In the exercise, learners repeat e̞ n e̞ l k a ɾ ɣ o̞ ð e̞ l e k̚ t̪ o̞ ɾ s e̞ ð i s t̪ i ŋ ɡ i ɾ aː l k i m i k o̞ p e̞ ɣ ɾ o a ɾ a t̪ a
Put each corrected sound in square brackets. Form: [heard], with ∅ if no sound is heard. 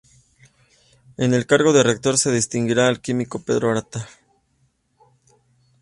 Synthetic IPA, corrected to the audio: e̞ n e̞ l k a ɾ ɣ o̞ ð e̞ [r] e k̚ t̪ o̞ ɾ s e̞ ð i s t̪ i ŋ ɡ i ɾ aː l k i m i k o̞ p e̞ [ð] ɾ o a ɾ a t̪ a